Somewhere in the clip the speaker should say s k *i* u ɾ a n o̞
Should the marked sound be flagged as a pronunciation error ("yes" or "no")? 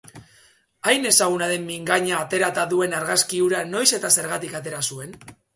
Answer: no